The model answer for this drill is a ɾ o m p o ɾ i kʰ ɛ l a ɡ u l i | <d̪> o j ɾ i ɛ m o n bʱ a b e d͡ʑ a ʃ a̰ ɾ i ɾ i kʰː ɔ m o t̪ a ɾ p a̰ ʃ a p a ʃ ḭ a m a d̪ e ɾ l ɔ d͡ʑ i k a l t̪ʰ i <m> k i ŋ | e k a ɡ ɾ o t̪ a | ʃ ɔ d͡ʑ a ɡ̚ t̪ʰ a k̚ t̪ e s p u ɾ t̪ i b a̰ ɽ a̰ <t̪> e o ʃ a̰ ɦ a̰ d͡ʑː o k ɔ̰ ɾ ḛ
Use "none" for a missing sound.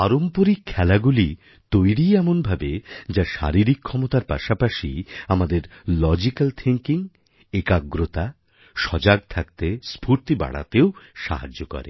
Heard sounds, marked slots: t̪, ŋ, t̪

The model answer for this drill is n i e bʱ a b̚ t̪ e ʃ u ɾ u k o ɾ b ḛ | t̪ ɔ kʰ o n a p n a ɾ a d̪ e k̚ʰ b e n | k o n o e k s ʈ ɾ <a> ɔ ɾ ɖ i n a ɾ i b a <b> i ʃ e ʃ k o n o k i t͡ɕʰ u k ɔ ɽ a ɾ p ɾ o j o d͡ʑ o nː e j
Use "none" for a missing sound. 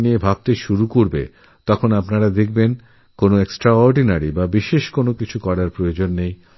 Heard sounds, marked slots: a, b

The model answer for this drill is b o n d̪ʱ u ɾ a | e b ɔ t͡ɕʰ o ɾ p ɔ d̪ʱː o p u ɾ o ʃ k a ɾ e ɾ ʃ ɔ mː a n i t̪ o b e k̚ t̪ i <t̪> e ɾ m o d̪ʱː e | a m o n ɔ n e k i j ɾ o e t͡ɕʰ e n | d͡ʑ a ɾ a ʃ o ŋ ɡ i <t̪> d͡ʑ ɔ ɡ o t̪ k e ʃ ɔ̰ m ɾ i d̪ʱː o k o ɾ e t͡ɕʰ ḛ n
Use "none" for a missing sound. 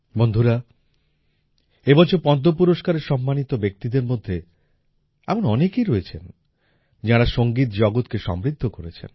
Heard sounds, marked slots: d̪, t̪

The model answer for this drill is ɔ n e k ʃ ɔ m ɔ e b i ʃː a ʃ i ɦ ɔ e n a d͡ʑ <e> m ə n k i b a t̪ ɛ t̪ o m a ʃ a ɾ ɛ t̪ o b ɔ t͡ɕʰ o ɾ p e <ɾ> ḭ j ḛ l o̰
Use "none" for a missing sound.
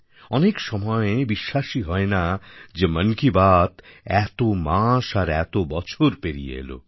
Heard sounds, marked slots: e, ɾ

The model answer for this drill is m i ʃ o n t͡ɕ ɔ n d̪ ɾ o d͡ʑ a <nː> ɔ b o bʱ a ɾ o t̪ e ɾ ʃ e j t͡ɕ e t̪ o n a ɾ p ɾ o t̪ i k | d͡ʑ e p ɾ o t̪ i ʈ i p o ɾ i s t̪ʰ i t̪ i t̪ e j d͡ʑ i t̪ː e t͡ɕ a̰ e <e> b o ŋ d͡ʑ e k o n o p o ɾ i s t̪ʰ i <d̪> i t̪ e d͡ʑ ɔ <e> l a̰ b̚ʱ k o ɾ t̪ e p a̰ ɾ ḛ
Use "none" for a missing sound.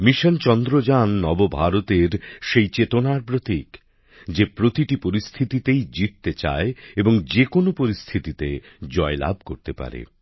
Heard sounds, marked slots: nː, e, t̪, e

